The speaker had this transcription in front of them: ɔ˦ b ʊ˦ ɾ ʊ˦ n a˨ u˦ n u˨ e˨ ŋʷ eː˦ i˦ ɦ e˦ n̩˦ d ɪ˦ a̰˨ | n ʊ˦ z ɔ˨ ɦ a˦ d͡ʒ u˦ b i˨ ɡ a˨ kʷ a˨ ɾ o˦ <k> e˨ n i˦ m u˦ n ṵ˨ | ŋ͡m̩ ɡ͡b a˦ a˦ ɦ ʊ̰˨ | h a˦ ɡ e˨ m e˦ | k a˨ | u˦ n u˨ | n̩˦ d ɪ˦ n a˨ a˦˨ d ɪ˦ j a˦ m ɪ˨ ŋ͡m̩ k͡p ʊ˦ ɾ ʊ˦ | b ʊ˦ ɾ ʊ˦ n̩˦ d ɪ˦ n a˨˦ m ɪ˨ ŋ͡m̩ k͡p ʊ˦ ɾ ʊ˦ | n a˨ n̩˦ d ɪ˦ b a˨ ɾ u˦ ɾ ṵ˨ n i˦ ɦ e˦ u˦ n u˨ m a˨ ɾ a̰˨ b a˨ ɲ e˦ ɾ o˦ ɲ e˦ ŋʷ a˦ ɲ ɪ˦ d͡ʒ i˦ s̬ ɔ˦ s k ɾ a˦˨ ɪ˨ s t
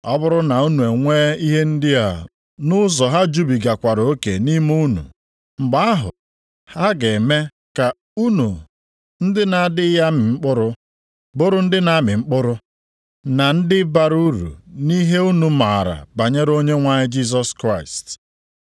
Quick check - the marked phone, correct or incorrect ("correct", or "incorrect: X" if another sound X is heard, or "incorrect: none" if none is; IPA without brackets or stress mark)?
correct